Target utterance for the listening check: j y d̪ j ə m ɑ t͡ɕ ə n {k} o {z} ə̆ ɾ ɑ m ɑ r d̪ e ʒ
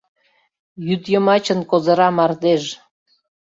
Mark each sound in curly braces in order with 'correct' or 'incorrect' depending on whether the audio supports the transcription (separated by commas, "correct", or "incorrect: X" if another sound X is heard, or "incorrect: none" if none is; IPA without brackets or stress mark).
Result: correct, correct